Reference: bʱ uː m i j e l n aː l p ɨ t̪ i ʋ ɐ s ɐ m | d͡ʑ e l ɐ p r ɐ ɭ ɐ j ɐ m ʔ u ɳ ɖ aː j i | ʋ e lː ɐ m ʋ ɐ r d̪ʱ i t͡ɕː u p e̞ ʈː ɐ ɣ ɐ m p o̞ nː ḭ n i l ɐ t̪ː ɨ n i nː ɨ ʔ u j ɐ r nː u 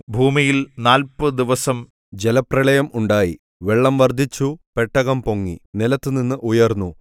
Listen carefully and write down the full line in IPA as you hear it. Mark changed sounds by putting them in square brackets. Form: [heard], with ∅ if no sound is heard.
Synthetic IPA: bʱ uː m i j [i] l n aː l p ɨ [d̪] i ʋ ɐ s ɐ m | d͡ʑ e l ɐ p r ɐ ɭ ɐ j ɐ m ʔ u ɳ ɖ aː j i | ʋ e [ɭː] ɐ m ʋ ɐ r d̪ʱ i t͡ɕː u p e̞ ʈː ɐ ɣ ɐ m p o̞ [ŋː] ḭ n i l ɐ t̪ː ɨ n i nː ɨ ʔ u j ɐ r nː u